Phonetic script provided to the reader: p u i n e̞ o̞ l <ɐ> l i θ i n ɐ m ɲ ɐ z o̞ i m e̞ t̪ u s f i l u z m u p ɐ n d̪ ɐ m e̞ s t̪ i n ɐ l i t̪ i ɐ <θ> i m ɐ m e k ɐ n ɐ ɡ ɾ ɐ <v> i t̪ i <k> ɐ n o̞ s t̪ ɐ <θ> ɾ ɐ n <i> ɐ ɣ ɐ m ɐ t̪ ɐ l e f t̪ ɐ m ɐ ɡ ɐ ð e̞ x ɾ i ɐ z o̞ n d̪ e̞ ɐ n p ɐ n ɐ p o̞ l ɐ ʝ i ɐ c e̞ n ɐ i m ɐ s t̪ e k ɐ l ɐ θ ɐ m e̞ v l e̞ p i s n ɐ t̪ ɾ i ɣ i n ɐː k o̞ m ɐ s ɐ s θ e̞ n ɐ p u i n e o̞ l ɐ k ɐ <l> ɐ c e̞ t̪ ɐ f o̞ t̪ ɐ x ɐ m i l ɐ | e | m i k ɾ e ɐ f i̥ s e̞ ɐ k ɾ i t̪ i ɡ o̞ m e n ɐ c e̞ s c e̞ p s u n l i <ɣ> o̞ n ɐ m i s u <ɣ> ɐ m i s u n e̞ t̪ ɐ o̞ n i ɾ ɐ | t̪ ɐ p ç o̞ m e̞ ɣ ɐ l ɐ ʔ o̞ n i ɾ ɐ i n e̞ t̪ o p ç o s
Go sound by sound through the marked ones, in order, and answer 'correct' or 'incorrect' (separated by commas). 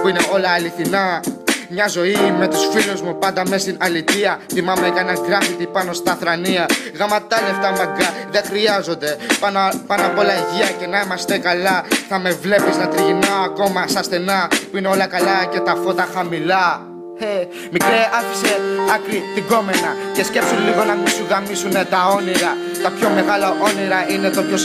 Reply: incorrect, correct, incorrect, incorrect, correct, correct, correct, correct, correct